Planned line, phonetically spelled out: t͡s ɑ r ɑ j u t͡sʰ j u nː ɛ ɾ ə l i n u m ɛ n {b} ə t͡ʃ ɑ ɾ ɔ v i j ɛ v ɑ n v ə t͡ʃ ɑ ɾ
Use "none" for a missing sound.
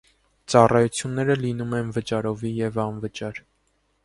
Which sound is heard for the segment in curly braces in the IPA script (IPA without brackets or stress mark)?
v